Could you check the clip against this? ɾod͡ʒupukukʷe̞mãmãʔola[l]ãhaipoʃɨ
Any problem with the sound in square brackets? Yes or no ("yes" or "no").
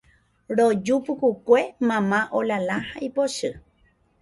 no